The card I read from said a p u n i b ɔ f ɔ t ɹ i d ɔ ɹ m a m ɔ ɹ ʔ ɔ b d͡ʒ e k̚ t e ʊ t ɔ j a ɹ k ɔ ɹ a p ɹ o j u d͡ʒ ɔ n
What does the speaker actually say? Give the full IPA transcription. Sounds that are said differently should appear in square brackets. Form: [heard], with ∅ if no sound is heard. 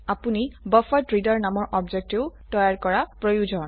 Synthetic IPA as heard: a p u n i b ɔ f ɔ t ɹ i d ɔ ɹ [n] a m ɔ ɹ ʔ ɔ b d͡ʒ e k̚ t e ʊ t ɔ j a ɹ k ɔ ɹ a p ɹ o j u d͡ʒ ɔ n